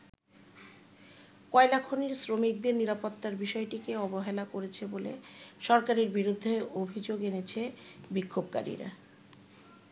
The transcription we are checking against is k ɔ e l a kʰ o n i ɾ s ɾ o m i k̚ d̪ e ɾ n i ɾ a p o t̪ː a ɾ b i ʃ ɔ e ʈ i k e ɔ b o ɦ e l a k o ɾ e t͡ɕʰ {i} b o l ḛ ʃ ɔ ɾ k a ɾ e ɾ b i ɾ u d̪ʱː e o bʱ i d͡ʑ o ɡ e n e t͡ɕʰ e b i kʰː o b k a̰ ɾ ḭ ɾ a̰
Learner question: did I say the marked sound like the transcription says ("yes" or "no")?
no